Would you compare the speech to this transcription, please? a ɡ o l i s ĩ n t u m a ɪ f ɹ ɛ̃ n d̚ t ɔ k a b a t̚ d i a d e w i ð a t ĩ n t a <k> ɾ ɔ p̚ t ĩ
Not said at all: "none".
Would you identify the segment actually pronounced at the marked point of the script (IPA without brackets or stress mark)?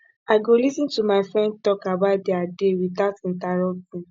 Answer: none